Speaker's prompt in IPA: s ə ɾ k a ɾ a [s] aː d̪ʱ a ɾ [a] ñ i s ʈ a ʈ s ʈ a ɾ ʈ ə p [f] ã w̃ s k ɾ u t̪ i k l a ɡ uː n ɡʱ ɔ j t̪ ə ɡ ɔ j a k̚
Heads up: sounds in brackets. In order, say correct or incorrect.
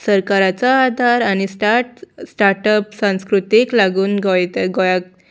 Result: incorrect, correct, incorrect

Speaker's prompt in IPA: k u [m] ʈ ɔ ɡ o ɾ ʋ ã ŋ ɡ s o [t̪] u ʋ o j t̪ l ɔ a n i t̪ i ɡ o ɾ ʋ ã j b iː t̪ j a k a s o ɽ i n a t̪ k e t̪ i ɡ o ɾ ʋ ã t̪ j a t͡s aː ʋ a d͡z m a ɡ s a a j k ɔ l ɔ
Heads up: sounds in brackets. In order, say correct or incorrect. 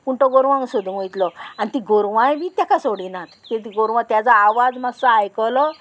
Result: incorrect, incorrect

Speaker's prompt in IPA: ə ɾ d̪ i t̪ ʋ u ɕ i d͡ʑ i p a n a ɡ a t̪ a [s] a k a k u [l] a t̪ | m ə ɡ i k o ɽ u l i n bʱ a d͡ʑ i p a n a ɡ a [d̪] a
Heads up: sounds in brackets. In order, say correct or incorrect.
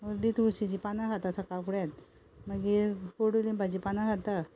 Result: correct, incorrect, incorrect

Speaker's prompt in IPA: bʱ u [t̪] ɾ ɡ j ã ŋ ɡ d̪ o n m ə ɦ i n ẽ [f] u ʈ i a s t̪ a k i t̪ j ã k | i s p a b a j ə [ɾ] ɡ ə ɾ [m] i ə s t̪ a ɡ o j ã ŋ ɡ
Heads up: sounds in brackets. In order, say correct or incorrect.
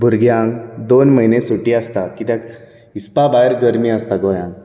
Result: incorrect, incorrect, correct, correct

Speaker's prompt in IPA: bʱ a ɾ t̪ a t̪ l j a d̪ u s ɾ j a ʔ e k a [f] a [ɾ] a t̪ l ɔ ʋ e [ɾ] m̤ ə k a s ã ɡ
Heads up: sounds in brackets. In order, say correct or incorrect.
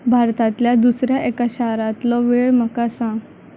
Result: incorrect, correct, incorrect

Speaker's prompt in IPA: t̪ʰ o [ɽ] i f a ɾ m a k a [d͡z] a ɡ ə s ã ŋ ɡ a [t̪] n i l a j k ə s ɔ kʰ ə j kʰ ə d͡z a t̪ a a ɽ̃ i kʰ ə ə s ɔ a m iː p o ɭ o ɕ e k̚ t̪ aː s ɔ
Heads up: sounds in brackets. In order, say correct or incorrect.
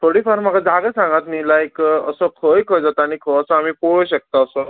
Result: correct, correct, correct

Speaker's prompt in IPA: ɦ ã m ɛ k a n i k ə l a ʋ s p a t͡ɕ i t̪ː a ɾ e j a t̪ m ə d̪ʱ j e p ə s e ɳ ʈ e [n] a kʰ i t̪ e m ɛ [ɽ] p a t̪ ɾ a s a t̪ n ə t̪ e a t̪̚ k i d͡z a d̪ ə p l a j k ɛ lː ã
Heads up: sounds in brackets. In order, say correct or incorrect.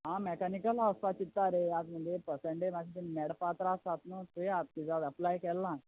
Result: incorrect, correct

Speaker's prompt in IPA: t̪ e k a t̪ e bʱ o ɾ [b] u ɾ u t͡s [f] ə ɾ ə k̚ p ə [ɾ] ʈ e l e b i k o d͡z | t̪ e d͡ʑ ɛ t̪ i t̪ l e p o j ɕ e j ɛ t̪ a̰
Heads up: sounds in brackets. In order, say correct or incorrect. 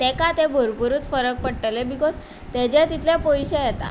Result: incorrect, correct, incorrect

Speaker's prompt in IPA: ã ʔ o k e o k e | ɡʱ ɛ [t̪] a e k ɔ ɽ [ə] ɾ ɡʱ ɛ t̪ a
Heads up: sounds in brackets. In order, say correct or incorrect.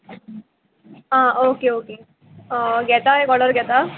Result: correct, correct

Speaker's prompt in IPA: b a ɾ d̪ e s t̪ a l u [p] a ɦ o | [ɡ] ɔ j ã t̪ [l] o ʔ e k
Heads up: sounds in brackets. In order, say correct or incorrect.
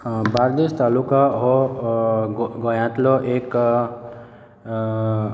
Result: incorrect, correct, correct

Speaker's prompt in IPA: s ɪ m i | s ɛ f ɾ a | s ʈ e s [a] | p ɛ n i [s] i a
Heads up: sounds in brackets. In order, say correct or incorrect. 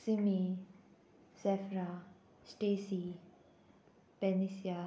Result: incorrect, correct

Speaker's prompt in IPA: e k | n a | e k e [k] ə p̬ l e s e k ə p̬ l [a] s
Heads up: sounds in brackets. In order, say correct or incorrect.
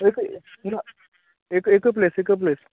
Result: correct, incorrect

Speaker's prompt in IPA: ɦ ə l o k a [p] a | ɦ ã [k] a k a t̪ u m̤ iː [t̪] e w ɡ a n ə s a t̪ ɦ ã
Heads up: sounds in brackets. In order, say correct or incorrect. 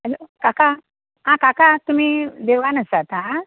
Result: incorrect, correct, incorrect

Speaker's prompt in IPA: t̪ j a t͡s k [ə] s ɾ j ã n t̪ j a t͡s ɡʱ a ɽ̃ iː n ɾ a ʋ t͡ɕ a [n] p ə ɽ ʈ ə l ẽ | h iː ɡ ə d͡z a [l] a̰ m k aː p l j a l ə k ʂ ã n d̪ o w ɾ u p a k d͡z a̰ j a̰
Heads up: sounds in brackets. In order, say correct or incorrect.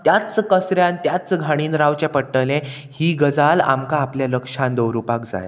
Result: correct, incorrect, correct

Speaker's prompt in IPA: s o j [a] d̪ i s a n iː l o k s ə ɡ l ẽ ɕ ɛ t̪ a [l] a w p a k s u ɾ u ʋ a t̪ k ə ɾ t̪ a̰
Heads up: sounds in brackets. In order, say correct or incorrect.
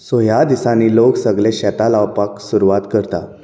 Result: correct, correct

